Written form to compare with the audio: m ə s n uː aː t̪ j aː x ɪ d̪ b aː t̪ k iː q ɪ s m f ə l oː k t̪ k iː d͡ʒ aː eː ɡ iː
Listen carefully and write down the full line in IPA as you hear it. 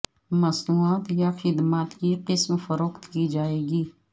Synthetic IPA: m ə s n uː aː t̪ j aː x ɪ d̪ m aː t̪ k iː q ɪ s m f ə ɾ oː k t̪ k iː d͡ʒ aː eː ɡ iː

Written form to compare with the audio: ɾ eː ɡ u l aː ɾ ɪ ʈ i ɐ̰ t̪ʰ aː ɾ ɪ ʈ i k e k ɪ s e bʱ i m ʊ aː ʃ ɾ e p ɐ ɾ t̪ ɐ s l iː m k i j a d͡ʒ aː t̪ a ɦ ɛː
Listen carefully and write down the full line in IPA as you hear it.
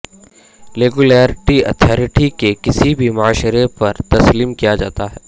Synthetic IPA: ɾ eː ɡ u l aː ɾ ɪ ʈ i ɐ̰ t̪ʰ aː ɾ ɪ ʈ i k e k ɪ s i bʱ i m ʊ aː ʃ ɾ e p ɐ ɾ t̪ ɐ s l iː m k i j a d͡ʒ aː t̪ a ɦ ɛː

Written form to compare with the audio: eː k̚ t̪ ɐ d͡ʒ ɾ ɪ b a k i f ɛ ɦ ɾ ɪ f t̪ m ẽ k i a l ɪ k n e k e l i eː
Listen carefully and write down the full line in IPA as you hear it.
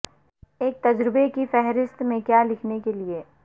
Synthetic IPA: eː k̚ t̪ ɐ d͡ʒ ɾ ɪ b e k i f ɛ ɦ ɾ ɪ s t̪ m ẽ k j a l ɪ kʰ n e k e l i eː

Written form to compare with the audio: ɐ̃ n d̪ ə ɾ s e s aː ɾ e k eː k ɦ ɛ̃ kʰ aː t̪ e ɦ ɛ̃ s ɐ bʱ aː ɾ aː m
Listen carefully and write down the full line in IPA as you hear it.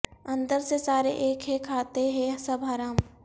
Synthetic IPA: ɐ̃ n d̪ ə ɾ s e s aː ɾ e ʔ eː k ɦ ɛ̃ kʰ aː t̪ e ɦ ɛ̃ s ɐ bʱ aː ɾ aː m

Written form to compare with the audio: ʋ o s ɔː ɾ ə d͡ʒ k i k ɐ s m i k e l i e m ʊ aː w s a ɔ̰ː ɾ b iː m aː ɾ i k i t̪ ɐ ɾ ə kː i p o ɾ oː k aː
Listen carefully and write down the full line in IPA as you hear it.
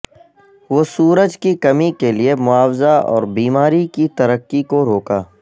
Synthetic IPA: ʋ o s uː ɾ ə d͡ʒ k i k ɐ m i k e l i e m ʊ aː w z a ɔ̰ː ɾ b iː m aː ɾ i k i t̪ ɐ ɾ ə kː i k o ɾ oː k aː

